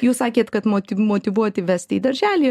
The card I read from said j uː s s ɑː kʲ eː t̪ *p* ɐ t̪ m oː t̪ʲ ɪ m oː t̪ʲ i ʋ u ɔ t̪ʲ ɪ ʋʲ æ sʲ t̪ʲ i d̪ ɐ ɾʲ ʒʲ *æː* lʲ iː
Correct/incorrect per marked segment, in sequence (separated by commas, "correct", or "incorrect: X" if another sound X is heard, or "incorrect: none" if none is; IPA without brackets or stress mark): incorrect: k, correct